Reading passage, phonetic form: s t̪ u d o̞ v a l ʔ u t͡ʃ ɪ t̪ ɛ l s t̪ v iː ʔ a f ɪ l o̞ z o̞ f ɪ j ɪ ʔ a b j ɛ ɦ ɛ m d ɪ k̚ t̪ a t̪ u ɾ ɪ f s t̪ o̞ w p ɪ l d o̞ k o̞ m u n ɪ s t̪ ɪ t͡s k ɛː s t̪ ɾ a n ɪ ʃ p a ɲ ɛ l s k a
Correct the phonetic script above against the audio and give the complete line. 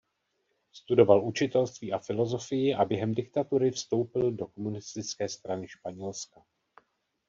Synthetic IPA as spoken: s t̪ u d o̞ v a l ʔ u t͡ʃ ɪ t̪ ɛ l s t̪ v iː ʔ a f ɪ l o̞ z o̞ f ɪ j ɪ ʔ a b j ɛ ɦ ɛ m d ɪ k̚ t̪ a t̪ u ɾ ɪ f s t̪ o̞ w p ɪ l d o̞ k o̞ m u n ɪ s t̪ ɪ t͡s k ɛː s t̪ ɾ a n ɪ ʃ p a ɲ ɛ l s k a